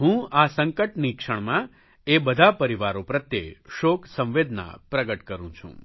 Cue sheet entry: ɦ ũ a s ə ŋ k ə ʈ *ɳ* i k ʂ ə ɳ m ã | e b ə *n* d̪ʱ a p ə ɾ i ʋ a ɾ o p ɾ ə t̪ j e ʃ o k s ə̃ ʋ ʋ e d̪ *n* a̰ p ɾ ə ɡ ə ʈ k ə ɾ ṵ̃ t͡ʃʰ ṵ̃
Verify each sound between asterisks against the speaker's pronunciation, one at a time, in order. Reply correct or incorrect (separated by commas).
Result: incorrect, incorrect, correct